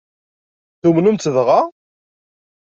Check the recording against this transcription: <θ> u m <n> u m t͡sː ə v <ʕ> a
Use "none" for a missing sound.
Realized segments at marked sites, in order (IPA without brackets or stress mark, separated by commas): θ, n, ʁ